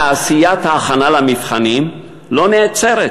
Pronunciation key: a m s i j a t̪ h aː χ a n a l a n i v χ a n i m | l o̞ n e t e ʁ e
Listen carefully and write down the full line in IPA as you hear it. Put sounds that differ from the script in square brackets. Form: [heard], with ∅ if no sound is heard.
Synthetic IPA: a [∅] s i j a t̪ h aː χ a n a l a [m] i [f] χ a n i m | l o̞ n e [t͡s] e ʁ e